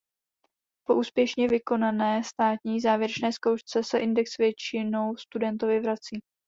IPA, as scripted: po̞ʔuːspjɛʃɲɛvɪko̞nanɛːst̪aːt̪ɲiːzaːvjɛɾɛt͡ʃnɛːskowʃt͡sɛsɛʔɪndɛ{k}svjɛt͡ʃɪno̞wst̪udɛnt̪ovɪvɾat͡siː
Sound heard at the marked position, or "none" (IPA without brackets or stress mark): k